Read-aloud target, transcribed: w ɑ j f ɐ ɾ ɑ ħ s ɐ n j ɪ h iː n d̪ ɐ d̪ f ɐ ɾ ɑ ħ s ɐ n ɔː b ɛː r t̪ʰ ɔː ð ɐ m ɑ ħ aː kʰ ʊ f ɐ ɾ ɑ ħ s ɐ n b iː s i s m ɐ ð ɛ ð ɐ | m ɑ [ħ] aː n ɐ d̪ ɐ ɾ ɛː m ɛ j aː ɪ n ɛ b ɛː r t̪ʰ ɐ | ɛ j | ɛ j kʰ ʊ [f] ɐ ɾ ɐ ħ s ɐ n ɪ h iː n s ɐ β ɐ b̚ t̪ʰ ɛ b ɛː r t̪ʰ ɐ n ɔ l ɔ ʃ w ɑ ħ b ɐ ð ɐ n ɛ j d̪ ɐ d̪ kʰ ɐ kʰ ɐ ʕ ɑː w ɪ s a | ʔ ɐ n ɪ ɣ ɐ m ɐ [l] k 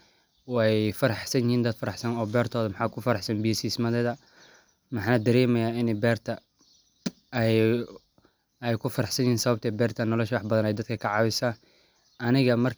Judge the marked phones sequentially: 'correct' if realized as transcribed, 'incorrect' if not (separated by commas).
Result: correct, correct, incorrect